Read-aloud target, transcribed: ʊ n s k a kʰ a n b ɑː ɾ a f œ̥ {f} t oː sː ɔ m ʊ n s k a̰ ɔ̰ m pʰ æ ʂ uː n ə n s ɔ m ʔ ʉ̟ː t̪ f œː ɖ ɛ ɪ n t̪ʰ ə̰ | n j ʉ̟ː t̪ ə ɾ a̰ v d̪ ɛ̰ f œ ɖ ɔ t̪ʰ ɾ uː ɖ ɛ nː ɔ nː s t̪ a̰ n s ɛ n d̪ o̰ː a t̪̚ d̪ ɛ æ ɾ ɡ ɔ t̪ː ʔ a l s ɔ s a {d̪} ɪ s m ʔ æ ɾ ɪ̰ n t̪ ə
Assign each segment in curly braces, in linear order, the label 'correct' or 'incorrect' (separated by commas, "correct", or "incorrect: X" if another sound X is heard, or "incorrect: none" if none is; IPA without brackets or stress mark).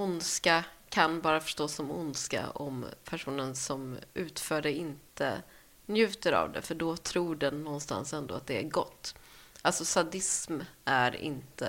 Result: incorrect: ʂ, correct